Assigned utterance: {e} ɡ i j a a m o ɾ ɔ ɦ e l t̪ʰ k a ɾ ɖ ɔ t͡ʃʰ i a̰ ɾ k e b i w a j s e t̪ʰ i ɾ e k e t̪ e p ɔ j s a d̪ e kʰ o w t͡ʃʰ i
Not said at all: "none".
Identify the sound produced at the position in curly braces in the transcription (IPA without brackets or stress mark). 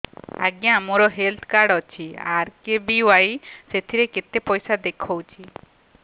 a